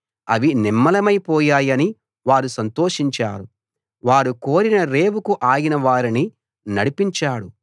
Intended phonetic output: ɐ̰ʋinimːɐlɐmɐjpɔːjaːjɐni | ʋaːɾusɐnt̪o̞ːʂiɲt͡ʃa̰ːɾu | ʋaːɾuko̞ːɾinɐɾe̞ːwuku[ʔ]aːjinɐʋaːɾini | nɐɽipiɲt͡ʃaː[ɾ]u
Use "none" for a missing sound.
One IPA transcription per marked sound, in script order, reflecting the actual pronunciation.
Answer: ʔ, ɽ

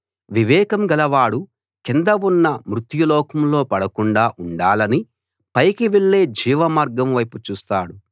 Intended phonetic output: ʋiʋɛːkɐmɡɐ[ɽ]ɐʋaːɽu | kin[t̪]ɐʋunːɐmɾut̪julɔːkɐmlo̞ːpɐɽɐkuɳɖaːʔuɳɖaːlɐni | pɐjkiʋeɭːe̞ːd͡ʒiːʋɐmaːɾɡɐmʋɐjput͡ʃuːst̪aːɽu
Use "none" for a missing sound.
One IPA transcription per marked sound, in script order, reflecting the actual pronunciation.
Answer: l, d̪

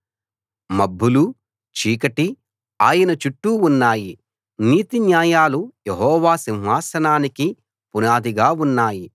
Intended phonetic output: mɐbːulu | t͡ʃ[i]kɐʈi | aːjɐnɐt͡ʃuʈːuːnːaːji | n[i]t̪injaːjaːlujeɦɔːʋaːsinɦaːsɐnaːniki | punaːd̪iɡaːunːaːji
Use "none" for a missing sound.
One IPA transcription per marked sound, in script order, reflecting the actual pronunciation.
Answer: iː, iː

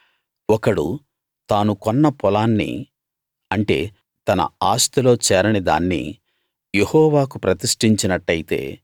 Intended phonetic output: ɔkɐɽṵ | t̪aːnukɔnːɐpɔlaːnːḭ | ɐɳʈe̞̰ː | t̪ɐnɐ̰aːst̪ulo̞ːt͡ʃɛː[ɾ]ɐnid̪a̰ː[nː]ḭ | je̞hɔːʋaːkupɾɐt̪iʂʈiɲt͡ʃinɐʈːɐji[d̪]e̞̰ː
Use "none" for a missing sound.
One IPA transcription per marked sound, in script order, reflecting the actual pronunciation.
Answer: ɾ, nː, t̪

